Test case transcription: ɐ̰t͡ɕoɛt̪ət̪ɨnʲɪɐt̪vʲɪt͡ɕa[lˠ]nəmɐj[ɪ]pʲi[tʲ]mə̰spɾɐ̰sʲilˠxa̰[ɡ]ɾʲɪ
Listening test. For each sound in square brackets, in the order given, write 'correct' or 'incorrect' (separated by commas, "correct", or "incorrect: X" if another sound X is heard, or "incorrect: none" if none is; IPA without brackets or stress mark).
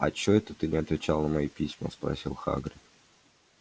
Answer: correct, incorrect: i, incorrect: sʲ, correct